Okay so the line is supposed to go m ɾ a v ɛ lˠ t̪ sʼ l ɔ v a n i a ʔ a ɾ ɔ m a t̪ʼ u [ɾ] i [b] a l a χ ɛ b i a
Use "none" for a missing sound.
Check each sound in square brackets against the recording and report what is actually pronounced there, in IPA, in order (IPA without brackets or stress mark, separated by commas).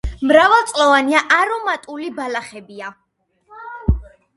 l, b